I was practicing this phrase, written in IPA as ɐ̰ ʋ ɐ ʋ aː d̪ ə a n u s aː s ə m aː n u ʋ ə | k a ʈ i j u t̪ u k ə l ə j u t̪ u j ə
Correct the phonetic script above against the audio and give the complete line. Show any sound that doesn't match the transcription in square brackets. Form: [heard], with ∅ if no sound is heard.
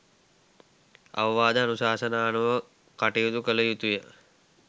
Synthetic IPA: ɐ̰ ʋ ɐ ʋ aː d̪ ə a n u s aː s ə [n] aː n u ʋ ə | k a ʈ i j u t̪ u k ə l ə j u t̪ u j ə